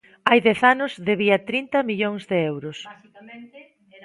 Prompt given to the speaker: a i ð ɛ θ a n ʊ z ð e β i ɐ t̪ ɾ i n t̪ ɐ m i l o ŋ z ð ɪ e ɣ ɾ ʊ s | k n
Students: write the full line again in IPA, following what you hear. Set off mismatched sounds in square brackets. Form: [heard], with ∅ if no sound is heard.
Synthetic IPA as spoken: a [j] ð ɛ θ a n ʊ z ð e β i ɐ t̪ ɾ i n t̪ ɐ m i [ʎ] o ŋ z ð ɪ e [w] ɾ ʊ s | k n